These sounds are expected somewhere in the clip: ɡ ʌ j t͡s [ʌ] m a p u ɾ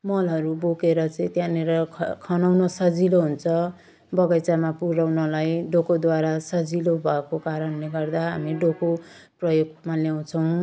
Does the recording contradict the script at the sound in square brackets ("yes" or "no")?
yes